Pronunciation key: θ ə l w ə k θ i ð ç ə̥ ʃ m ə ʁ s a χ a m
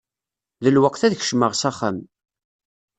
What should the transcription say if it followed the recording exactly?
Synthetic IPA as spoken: ð ə l w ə q θ æ ð ç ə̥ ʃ m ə ʁ s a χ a m